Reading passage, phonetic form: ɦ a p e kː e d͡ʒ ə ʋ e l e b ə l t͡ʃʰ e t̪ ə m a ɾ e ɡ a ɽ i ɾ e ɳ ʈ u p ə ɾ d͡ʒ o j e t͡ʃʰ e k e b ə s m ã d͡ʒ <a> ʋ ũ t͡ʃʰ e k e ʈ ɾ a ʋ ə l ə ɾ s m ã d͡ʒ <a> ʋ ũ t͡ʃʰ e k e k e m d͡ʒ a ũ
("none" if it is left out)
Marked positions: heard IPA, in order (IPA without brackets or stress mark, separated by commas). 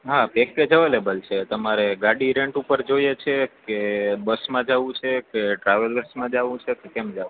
a, a